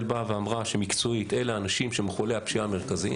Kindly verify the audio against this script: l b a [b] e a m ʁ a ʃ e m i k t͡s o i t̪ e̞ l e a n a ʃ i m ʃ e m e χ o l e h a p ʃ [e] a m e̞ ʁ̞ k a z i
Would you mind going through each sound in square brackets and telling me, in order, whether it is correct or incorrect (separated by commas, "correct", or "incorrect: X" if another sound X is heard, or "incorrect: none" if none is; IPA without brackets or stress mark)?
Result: incorrect: v, incorrect: i